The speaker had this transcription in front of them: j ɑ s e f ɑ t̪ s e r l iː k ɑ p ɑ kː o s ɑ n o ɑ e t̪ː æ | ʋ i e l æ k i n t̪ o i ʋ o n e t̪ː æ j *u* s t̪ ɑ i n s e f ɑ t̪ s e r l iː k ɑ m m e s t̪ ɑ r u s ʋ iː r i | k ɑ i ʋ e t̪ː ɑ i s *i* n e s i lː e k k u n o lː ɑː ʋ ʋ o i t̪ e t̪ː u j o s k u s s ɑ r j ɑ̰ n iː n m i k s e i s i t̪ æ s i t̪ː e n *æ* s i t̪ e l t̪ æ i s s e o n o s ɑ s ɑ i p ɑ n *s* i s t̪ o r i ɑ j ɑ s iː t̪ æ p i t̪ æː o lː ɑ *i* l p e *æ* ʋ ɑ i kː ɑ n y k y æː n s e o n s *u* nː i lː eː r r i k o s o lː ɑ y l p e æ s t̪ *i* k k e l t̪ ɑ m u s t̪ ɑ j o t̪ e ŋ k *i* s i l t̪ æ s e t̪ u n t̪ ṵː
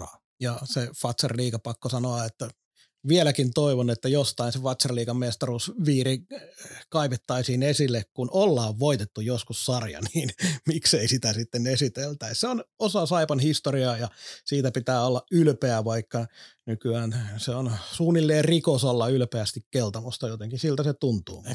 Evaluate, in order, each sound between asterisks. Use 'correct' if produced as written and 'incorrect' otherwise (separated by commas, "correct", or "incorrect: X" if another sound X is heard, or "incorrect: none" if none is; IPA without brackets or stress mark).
incorrect: o, incorrect: iː, incorrect: e, incorrect: h, incorrect: y, correct, incorrect: uː, correct, correct